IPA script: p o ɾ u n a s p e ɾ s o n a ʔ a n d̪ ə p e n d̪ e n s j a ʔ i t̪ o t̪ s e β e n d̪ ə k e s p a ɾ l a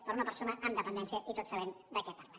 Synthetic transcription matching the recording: p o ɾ u n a p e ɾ s o n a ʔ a n d̪ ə p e n d̪ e n s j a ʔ i t̪ o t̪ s a β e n d̪ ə k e p a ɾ l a